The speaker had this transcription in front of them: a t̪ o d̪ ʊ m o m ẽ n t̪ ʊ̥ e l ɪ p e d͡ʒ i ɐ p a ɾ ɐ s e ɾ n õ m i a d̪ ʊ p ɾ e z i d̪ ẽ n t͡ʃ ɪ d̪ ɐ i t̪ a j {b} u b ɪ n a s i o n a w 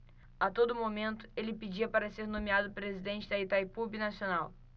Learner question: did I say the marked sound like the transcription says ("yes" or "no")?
no